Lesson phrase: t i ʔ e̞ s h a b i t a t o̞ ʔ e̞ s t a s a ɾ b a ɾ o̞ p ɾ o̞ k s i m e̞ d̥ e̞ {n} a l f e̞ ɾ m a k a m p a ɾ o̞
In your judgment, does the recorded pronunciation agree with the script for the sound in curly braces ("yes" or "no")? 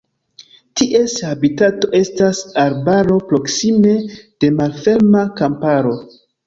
no